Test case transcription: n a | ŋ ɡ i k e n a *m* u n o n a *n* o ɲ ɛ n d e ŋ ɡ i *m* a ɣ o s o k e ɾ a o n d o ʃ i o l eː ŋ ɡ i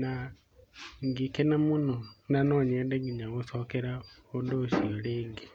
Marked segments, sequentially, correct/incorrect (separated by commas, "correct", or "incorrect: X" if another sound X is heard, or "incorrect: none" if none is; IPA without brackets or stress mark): correct, correct, incorrect: ɲ